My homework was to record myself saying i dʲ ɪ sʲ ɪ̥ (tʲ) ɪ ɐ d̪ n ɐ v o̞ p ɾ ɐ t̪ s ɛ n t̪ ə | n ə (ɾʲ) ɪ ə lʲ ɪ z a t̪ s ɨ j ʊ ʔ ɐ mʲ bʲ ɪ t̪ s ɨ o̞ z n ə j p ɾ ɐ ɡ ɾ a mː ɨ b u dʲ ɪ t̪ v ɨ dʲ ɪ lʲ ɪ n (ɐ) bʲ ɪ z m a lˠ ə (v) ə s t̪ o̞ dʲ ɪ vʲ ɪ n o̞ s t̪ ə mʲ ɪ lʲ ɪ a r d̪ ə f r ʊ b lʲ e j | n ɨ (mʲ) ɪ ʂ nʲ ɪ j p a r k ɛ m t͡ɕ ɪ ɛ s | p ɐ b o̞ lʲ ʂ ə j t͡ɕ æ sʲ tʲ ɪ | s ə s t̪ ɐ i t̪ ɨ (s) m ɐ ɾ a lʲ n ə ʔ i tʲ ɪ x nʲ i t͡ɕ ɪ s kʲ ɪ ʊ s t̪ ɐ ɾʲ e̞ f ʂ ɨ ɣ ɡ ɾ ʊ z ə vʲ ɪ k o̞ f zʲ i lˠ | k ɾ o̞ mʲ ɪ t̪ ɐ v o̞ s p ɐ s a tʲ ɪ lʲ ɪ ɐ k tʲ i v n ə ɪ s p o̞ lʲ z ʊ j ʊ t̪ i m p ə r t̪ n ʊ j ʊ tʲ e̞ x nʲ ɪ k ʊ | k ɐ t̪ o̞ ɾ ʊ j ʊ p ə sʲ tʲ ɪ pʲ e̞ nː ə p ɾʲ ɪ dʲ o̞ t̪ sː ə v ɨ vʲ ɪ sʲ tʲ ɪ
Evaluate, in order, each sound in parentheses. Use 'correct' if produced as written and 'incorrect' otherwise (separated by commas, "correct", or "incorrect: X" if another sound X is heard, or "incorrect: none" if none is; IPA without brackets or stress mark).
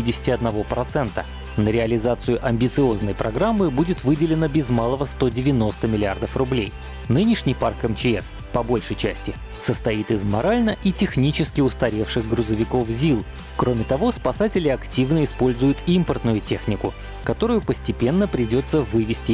correct, correct, incorrect: ə, correct, incorrect: nʲ, incorrect: z